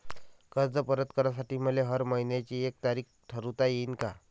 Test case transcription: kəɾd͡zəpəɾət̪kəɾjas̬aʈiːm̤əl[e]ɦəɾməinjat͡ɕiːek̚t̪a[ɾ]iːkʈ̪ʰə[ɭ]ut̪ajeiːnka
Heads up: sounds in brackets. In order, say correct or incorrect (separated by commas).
correct, correct, incorrect